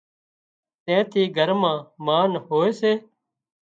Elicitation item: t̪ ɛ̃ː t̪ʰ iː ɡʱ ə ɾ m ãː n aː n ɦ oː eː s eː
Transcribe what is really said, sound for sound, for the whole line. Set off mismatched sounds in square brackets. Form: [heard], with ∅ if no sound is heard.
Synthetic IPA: t̪ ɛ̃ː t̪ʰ iː ɡʱ ə ɾ m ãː [m] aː n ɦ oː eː s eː